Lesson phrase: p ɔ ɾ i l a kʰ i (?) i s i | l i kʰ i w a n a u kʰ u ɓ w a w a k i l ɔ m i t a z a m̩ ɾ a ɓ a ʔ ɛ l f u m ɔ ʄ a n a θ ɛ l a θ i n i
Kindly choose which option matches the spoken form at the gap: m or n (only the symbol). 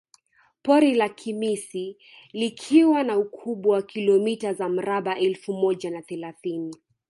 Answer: m